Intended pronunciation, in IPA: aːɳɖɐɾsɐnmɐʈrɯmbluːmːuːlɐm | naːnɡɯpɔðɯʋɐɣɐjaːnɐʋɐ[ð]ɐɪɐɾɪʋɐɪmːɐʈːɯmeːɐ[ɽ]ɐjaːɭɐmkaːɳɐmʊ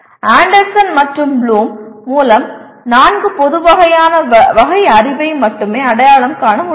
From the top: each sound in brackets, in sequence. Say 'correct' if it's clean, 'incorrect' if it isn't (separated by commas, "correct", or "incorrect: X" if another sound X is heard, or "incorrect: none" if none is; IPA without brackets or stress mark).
incorrect: ɣ, correct